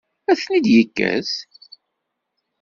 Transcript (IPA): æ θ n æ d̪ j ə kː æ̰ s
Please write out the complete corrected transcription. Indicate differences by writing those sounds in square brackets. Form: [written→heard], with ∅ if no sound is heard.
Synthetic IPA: æ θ n [æ→i] d̪ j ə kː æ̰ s